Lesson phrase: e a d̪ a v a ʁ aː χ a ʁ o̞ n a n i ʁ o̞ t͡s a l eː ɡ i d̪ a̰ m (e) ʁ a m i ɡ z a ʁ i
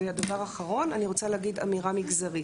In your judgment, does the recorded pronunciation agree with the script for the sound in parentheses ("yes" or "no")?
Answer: no